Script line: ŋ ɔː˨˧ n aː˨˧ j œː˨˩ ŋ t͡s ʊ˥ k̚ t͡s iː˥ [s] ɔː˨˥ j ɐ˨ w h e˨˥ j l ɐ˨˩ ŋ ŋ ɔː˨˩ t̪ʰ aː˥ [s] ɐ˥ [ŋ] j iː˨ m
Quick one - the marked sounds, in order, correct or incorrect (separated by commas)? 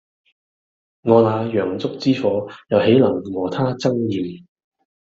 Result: incorrect, incorrect, correct